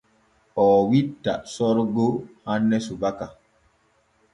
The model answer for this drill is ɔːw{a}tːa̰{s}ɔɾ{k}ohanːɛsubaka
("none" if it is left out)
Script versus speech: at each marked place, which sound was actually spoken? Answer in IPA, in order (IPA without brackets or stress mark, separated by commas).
i, s, ɡ